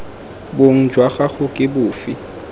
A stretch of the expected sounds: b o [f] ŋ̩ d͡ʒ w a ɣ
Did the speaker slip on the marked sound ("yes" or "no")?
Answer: yes